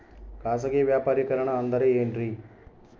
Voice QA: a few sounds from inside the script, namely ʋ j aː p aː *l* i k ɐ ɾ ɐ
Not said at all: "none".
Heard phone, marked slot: ɾ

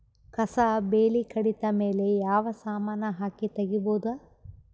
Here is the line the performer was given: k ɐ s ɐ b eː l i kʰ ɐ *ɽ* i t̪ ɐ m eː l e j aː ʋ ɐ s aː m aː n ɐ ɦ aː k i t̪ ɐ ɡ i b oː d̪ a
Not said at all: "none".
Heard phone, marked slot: ɽ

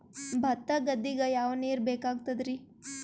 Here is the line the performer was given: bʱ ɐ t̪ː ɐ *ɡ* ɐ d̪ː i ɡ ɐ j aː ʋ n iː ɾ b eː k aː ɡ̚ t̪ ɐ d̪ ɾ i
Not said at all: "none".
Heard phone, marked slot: ɡ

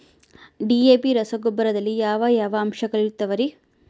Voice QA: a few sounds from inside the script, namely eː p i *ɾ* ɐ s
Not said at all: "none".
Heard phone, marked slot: ɾ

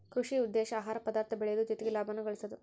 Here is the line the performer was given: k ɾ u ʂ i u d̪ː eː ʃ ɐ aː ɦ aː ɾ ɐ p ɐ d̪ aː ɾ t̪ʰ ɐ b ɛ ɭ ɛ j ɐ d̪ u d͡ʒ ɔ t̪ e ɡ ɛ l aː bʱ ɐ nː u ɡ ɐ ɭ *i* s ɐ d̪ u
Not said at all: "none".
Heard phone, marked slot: i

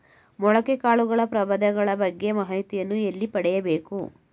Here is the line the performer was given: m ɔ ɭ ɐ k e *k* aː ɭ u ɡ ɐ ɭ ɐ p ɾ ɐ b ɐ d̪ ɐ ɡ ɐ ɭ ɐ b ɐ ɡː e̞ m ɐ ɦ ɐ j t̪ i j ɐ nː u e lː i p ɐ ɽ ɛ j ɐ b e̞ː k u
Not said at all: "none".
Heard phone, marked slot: k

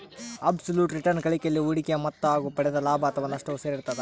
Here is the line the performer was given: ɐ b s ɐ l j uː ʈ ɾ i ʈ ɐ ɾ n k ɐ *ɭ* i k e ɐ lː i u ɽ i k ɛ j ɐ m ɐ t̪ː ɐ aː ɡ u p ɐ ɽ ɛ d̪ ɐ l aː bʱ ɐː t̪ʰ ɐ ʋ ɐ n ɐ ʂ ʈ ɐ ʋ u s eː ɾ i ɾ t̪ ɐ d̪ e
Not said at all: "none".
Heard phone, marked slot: ɭ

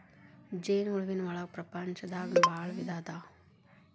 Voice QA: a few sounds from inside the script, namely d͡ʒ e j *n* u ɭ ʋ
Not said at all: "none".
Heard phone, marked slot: n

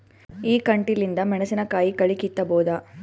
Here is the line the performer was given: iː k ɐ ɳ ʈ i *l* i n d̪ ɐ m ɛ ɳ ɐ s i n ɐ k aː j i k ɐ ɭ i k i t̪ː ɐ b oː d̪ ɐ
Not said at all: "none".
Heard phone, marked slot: l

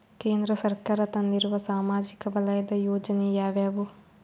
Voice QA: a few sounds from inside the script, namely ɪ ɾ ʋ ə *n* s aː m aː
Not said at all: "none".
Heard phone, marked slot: none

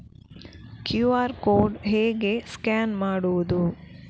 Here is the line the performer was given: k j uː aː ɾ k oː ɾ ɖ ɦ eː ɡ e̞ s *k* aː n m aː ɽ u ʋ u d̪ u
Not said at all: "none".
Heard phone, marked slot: k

